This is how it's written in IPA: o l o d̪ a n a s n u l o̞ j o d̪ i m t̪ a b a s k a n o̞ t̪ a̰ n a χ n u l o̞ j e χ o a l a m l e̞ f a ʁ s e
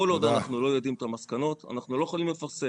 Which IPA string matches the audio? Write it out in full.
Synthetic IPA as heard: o l o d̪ a n a χ n u l o̞ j o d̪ i m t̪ a m a s k a n o̞ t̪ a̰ n a χ n u l o̞ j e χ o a l i m l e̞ f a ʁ s e